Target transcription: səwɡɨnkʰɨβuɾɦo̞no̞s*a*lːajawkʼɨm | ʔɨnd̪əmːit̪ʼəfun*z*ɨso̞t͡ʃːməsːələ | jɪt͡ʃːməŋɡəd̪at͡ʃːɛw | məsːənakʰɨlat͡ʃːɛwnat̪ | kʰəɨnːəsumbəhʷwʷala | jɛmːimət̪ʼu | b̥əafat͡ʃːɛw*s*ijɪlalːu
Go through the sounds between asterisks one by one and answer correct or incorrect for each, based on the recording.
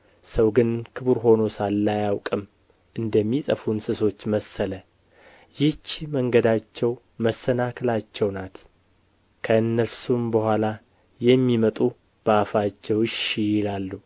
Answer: correct, incorrect: s, incorrect: ʃ

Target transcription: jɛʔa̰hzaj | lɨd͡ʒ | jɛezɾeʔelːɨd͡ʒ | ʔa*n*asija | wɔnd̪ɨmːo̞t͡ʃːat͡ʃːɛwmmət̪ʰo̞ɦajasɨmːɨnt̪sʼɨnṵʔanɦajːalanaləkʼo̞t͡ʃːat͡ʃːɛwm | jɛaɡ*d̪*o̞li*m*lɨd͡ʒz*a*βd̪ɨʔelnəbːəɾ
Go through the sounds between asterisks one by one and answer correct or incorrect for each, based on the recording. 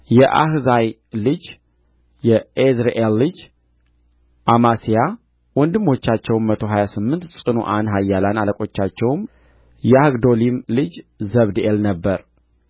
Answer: incorrect: m, correct, correct, incorrect: ə

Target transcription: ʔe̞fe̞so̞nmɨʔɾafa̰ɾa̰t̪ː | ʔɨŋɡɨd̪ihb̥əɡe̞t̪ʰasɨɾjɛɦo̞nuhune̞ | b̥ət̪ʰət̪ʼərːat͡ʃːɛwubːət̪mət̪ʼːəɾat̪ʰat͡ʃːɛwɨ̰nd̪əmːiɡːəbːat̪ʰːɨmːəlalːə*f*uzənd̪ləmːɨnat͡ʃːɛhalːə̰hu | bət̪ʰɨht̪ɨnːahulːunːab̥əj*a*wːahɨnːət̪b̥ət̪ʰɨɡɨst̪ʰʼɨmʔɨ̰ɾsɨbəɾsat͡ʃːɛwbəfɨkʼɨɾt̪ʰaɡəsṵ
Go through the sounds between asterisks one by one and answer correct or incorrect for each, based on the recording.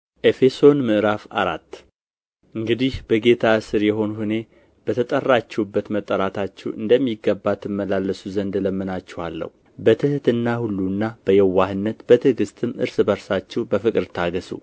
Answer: incorrect: s, incorrect: ɛ

